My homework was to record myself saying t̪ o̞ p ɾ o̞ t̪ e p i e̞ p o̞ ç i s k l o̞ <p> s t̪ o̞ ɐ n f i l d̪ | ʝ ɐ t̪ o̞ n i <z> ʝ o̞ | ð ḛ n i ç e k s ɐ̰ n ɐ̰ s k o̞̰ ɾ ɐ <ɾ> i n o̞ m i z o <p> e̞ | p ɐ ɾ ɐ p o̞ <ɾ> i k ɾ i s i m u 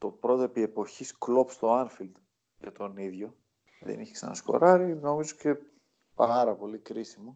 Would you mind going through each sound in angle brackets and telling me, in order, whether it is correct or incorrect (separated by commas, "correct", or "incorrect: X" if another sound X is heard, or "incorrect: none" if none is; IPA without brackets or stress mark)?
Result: correct, incorrect: ð, correct, incorrect: c, incorrect: l